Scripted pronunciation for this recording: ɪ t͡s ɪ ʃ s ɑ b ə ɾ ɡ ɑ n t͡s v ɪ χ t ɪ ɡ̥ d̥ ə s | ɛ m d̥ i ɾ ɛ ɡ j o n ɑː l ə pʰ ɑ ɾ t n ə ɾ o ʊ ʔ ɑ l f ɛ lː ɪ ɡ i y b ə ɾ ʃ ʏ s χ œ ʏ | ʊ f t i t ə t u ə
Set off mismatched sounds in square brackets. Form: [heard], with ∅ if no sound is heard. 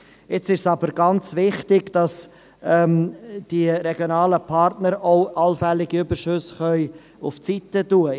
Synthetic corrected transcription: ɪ t͡s ɪ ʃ s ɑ b ə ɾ ɡ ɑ n t͡s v ɪ χ t ɪ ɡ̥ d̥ [ɑ] s | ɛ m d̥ i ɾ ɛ ɡ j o n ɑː l ə pʰ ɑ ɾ t n ə ɾ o ʊ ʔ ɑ l f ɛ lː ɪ ɡ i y b ə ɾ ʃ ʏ s χ œ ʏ | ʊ f [t͡s] i t ə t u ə